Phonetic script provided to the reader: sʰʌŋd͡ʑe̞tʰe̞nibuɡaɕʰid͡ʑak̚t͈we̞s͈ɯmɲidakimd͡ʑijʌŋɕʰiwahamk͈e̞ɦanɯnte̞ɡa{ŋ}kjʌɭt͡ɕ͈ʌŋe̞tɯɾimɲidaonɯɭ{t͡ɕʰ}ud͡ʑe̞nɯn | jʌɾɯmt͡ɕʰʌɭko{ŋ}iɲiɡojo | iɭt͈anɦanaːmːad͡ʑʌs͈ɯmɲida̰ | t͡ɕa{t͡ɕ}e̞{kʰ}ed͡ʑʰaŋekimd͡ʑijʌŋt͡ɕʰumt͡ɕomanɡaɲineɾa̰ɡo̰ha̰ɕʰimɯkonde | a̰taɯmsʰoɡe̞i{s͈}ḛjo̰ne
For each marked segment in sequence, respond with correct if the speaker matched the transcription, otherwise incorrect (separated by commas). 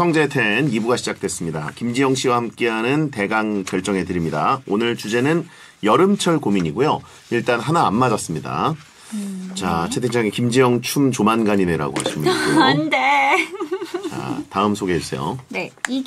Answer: correct, incorrect, incorrect, incorrect, incorrect, correct